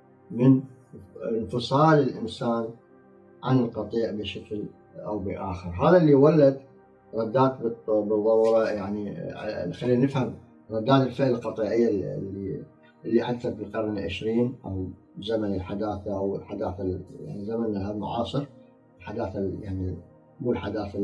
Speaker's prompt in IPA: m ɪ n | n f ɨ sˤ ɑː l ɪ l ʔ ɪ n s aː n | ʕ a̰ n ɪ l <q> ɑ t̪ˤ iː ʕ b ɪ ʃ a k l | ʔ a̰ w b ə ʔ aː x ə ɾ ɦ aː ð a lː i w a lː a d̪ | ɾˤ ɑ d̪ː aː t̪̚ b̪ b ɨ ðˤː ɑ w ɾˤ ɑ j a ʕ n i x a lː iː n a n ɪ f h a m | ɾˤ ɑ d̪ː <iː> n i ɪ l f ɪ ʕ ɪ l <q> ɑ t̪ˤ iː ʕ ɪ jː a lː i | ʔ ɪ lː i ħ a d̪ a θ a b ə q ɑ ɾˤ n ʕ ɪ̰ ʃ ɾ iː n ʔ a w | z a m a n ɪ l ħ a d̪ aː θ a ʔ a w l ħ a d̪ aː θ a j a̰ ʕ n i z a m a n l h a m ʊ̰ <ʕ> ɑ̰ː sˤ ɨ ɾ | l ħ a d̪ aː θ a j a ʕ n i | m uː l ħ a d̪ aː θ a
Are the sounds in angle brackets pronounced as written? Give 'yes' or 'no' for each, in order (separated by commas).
yes, no, yes, yes